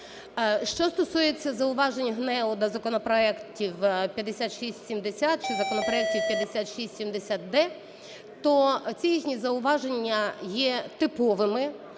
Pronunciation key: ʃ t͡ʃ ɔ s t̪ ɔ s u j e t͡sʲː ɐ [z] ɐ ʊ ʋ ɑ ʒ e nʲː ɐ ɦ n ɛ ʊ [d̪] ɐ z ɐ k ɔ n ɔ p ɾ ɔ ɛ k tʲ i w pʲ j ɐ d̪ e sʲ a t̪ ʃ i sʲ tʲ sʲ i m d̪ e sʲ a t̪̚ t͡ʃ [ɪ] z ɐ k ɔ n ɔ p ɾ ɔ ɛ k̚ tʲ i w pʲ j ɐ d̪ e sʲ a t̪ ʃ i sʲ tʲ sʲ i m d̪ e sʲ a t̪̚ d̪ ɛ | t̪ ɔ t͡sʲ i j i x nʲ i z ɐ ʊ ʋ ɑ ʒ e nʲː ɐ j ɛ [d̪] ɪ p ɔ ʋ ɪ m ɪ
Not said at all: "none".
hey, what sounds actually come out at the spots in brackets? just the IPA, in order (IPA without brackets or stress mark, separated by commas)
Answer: z, d̪, ɪ, t̪